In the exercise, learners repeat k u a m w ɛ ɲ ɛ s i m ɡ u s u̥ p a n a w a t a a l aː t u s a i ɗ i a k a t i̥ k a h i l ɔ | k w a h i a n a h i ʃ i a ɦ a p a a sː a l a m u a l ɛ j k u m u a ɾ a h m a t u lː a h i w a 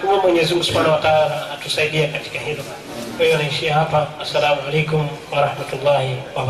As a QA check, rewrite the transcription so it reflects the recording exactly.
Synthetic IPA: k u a m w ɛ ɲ ɛ z i m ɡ u s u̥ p a n a w a t a a l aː t u s a i ɗ i a k a t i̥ k a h i l ɔ | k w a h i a n a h i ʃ i a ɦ a p a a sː a l a m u a l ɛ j k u m w a ɾ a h m a t u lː a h i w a